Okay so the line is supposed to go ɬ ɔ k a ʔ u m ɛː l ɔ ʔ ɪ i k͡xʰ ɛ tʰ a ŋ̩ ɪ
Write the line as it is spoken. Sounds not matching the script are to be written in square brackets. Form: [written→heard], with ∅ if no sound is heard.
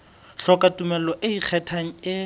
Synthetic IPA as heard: ɬ ɔ k a [ʔ→t] u m [ɛː→ɛ] l ɔ ʔ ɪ i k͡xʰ ɛ tʰ a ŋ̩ ɪ